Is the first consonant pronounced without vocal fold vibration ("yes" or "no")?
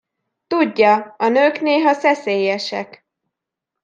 yes